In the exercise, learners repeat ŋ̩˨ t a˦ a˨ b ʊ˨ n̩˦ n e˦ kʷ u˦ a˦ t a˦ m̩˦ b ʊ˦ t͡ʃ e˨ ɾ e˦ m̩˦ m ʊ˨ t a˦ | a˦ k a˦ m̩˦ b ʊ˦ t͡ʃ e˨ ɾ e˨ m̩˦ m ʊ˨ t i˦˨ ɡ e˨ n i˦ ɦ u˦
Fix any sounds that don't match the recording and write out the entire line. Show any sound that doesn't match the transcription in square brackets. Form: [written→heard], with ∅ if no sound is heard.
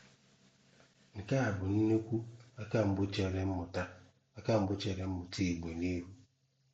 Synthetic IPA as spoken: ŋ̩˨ [t→k] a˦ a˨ b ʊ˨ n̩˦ n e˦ kʷ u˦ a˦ [t→k] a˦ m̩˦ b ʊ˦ t͡ʃ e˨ ɾ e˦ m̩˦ m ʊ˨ t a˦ | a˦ k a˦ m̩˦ b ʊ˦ t͡ʃ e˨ ɾ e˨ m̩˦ m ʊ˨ t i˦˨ [ɡ→ɡ͡b] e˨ n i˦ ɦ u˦

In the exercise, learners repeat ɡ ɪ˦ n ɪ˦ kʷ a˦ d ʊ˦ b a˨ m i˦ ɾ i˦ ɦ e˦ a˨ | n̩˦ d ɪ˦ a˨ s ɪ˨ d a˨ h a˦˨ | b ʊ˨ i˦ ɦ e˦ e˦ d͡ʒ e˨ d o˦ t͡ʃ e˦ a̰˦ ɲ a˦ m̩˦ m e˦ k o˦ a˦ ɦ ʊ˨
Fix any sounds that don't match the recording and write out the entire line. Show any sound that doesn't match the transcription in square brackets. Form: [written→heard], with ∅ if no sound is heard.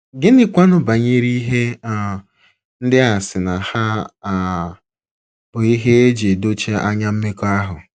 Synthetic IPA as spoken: ɡ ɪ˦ n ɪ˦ kʷ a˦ [d→n] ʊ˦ b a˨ [m→ɲ] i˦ ɾ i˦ ɦ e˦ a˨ | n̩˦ d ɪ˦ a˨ s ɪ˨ [d→n] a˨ h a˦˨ | b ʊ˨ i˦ ɦ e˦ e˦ d͡ʒ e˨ d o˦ t͡ʃ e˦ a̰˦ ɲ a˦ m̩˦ m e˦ k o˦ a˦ ɦ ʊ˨

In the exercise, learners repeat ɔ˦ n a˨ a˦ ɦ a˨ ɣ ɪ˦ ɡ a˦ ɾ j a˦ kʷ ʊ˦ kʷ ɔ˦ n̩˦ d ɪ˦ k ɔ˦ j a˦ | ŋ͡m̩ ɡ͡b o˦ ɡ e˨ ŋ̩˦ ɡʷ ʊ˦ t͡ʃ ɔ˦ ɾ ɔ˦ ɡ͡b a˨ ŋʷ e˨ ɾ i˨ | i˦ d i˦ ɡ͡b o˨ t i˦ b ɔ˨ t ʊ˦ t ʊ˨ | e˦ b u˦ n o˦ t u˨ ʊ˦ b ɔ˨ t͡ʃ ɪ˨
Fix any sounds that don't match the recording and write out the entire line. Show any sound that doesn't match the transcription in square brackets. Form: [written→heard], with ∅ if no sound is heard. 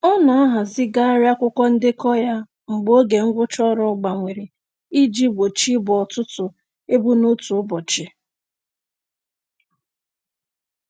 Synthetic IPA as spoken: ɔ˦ n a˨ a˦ ɦ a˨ [ɣ→z] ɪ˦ ɡ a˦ ɾ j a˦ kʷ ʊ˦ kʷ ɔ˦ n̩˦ d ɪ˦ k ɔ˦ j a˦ | ŋ͡m̩ ɡ͡b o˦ ɡ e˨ ŋ̩˦ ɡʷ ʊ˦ t͡ʃ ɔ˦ ɾ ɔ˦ ɡ͡b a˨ ŋʷ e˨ ɾ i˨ | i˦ [d→d͡ʒ] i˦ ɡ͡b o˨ [t→t͡ʃ] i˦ b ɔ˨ t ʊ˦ t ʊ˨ | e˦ b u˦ n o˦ t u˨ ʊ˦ b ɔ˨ t͡ʃ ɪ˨

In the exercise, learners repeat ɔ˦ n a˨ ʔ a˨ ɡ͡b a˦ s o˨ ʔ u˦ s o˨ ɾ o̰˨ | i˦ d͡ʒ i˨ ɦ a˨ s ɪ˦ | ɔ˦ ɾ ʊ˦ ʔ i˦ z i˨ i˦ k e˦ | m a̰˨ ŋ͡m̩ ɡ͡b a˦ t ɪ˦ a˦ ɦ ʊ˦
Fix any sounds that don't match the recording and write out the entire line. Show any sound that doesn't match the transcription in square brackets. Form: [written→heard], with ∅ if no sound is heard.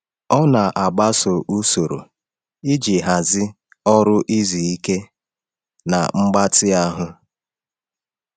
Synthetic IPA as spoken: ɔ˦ n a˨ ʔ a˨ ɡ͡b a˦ s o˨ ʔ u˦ s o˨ ɾ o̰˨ | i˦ d͡ʒ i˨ ɦ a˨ [s→z] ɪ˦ | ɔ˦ ɾ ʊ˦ ʔ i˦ z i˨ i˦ k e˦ | [m→n] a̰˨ ŋ͡m̩ ɡ͡b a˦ t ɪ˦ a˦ ɦ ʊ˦

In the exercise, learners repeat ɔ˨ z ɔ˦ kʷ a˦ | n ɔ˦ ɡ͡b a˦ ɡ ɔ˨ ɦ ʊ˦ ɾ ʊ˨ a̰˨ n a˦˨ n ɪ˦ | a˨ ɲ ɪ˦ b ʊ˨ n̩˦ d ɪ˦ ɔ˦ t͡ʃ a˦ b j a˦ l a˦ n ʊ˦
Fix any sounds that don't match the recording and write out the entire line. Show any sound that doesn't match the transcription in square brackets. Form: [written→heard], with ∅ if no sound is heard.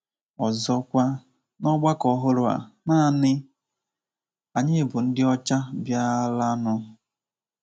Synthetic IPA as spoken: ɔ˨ z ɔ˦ kʷ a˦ | n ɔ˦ ɡ͡b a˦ [ɡ→k] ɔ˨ ɦ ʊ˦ ɾ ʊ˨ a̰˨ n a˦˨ n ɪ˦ | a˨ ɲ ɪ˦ b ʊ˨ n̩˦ d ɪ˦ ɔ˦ t͡ʃ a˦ b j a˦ l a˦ n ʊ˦

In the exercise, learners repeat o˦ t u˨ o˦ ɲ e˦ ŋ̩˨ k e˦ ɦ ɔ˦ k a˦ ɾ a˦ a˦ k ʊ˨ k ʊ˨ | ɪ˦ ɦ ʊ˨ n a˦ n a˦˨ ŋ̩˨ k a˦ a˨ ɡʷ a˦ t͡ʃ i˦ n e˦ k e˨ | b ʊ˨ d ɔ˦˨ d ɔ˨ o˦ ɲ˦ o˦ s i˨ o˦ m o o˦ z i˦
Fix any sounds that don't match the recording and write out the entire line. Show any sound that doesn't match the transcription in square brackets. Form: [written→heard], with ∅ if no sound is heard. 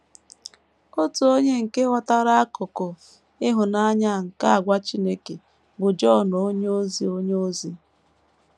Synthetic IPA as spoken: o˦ t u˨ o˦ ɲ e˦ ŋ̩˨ k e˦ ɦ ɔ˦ [k→t] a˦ ɾ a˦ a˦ k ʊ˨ k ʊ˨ | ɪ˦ ɦ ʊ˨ n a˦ [n→ɲ] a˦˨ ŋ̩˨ k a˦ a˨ ɡʷ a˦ t͡ʃ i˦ n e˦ k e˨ | b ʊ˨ [d→d͡ʒ] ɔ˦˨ [d→n] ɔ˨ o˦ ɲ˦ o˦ [s→z] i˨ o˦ [m→ɲ] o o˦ z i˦

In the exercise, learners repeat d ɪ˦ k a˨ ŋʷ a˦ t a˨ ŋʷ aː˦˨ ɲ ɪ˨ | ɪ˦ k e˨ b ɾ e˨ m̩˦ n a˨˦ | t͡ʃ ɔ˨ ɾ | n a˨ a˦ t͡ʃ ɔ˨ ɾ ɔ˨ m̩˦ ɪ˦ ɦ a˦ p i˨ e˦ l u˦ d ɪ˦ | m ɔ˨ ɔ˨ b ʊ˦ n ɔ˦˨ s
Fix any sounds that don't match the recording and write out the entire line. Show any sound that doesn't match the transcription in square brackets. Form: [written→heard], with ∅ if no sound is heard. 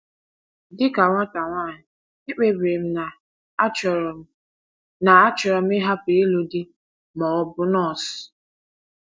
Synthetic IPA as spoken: d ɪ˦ k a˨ ŋʷ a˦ t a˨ ŋʷ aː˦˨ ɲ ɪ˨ | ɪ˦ [k→k͡p] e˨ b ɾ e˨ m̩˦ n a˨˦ | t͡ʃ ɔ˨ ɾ | n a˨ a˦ t͡ʃ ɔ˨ ɾ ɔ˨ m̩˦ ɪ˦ ɦ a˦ p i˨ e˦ l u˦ d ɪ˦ | m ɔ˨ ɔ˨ b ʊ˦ n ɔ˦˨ s

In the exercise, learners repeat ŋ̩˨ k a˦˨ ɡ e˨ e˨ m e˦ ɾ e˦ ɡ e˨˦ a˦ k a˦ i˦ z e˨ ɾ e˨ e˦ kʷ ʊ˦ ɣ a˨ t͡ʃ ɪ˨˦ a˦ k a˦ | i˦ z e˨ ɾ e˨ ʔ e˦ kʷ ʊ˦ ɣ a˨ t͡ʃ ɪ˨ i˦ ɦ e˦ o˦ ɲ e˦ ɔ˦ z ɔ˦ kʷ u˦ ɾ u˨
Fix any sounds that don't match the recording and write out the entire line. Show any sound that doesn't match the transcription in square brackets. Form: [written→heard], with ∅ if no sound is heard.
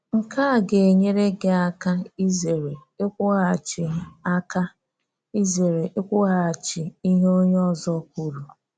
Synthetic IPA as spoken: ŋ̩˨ k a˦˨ ɡ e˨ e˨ [m→ɲ] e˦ ɾ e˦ ɡ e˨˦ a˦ k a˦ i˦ z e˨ ɾ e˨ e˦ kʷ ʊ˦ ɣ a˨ t͡ʃ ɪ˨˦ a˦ k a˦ | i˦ z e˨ ɾ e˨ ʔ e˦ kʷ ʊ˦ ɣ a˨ t͡ʃ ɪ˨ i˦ ɦ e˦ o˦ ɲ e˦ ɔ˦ z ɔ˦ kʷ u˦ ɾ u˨

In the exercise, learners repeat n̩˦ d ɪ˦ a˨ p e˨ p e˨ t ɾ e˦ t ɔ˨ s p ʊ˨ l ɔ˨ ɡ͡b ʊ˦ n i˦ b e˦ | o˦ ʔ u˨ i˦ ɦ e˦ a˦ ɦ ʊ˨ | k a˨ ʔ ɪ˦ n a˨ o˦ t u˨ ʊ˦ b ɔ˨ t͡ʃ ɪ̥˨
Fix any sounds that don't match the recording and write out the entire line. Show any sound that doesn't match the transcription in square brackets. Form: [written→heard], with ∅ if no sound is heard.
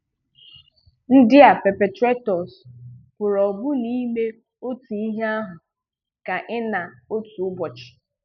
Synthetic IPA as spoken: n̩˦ d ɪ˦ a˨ p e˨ p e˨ t ɾ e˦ t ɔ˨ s p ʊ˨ [l→ɾ] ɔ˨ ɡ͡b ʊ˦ n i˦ [b→m] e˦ | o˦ [ʔ→t] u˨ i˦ ɦ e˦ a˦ ɦ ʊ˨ | k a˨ ʔ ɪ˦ n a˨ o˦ t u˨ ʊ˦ b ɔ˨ t͡ʃ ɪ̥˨

